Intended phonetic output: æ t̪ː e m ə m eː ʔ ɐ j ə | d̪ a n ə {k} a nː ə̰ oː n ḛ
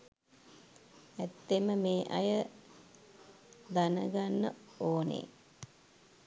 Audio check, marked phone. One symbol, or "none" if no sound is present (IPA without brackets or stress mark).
ɡ